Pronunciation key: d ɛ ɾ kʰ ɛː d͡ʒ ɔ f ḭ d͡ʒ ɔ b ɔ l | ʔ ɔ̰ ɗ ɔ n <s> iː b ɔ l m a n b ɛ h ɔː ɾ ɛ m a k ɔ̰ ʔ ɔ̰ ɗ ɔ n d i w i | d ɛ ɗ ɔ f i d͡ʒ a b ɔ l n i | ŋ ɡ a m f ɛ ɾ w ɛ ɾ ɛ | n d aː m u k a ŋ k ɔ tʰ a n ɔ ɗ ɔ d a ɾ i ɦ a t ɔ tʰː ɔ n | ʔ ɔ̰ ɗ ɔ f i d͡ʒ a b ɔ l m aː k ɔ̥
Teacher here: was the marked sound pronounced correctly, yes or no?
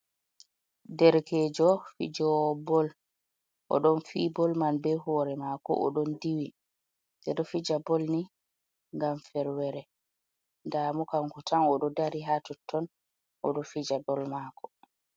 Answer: no